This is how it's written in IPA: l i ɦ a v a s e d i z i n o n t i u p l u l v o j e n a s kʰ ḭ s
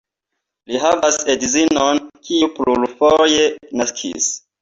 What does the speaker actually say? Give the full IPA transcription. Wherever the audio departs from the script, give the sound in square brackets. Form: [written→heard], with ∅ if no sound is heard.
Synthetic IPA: l i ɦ a v a s e d i z i n o n [t→k] i u p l u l [v→f] o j e n a s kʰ ḭ s